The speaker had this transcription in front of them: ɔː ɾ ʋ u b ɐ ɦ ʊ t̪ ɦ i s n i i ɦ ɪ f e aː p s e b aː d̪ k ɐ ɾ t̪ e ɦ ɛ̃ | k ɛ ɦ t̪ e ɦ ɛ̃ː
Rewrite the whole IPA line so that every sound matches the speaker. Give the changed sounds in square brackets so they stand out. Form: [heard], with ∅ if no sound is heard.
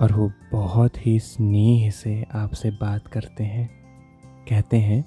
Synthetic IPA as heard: ɔː ɾ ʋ [o] b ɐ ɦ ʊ t̪ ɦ i s n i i ɦ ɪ [s] e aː p s e b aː [t̪] k ɐ ɾ t̪ e ɦ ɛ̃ | k ɛ ɦ t̪ e ɦ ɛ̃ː